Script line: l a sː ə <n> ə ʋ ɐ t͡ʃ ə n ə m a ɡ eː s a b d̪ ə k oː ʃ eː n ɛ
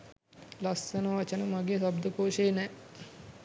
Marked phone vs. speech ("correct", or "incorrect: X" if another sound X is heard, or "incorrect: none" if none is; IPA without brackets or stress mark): correct